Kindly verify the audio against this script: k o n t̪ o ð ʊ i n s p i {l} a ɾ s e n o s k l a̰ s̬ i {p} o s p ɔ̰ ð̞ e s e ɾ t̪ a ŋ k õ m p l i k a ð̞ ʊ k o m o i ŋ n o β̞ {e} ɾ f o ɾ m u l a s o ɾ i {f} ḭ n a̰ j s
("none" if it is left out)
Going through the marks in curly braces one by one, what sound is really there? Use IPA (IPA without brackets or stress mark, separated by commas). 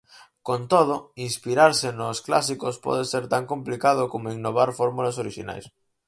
ɾ, k, a, ʃ